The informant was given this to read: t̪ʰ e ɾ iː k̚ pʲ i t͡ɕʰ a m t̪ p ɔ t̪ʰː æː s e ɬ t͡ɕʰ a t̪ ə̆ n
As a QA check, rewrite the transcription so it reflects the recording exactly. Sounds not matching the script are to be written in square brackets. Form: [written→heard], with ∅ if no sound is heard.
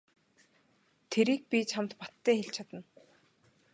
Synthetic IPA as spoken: t̪ʰ e ɾ iː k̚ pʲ i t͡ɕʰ a m t̪ p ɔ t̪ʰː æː [s→x] e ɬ t͡ɕʰ a t̪ ə̆ n